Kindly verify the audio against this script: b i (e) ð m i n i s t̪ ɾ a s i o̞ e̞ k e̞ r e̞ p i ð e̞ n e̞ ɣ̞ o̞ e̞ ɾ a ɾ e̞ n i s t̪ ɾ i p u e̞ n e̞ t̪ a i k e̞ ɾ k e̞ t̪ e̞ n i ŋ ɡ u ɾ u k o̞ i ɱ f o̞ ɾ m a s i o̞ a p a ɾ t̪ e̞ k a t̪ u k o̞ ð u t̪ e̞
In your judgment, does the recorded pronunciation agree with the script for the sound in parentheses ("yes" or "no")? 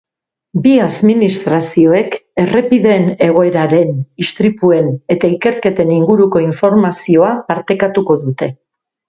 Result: no